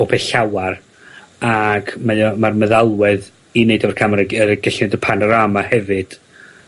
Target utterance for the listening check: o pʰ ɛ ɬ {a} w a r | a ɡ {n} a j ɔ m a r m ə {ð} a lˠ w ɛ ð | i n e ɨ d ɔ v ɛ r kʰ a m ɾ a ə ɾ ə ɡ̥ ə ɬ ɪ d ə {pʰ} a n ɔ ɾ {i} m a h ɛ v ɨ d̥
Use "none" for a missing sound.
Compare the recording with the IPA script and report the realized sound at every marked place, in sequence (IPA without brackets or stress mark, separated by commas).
a, m, ð, pʰ, a